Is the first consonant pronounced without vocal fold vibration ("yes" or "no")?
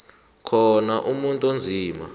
yes